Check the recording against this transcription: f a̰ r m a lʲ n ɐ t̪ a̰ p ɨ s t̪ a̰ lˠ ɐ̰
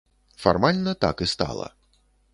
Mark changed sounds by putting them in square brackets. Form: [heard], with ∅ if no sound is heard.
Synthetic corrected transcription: f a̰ r m a lʲ n ɐ t̪ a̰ [k] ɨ s t̪ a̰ lˠ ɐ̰